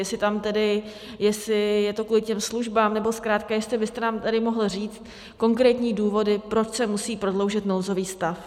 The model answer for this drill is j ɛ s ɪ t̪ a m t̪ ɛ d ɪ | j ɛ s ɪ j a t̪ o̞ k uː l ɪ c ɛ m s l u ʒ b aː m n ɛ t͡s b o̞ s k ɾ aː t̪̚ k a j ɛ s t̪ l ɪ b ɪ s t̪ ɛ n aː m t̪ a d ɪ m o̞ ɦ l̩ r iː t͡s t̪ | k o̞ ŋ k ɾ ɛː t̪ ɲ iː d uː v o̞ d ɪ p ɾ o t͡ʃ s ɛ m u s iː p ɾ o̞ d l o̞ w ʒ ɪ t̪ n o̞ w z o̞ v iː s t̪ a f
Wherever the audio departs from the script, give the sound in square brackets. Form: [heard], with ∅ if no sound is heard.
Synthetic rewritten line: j ɛ s ɪ t̪ a m t̪ ɛ d ɪ | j ɛ s ɪ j [ɛ] t̪ o̞ k uː l ɪ c ɛ m s l u ʒ b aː m n ɛ [∅] b o̞ s k ɾ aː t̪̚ k a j ɛ s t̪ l ɪ b ɪ s t̪ ɛ n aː m t̪ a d ɪ m o̞ ɦ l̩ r iː t͡s t̪ | k o̞ ŋ k ɾ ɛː t̪ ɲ iː d uː v o̞ d ɪ p ɾ o t͡ʃ s ɛ m u s iː p ɾ o̞ d l o̞ w ʒ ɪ t̪ n o̞ w z o̞ v iː s t̪ a f